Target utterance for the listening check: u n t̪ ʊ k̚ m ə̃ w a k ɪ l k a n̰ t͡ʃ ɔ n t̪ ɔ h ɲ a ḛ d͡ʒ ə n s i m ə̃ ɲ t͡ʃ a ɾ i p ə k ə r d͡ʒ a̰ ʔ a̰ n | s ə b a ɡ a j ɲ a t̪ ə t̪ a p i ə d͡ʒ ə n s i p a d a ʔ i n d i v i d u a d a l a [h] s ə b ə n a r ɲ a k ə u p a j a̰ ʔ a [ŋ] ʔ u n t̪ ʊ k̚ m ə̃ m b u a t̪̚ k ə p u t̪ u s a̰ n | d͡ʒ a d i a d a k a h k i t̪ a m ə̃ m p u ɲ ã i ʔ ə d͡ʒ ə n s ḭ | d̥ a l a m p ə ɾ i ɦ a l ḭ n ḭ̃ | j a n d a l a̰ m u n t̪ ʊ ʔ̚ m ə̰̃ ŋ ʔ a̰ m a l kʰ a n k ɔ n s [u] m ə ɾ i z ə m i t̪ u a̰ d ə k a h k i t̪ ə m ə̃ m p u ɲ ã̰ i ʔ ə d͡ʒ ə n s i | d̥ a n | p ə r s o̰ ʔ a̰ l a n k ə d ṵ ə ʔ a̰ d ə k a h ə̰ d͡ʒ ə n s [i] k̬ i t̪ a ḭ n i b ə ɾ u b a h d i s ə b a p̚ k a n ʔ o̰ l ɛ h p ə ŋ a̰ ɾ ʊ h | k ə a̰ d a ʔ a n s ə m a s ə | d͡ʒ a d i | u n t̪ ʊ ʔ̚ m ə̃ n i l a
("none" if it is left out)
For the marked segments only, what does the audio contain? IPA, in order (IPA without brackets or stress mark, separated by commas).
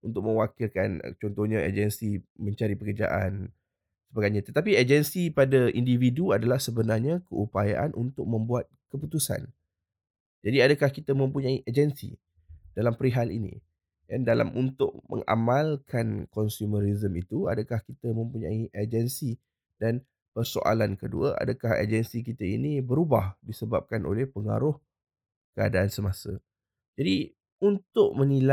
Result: h, n, u, i